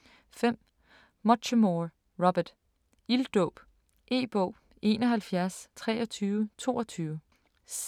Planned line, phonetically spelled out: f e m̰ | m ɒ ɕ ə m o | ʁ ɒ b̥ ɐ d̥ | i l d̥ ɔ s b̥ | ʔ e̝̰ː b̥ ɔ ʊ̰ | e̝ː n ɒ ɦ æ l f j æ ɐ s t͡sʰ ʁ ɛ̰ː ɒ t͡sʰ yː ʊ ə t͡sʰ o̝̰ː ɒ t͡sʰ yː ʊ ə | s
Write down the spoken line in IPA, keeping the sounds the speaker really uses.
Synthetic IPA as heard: f e m̰ | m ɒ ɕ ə m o | ʁ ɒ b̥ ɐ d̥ | i l d̥ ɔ b̥ | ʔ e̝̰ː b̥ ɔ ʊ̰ | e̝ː n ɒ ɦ æ l f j æ ɐ s t͡sʰ ʁ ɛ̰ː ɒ t͡sʰ yː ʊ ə t͡sʰ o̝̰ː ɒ t͡sʰ yː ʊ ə | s